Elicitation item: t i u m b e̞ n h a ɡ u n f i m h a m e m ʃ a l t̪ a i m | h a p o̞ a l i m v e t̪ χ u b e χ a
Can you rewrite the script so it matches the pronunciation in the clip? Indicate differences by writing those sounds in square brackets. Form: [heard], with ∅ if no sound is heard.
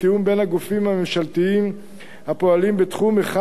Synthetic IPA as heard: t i u m b e̞ n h a ɡ u [∅] f i m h a m e m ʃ a l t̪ [i] i m | h a p o̞ a l i m [b] e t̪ χ u [m] e χ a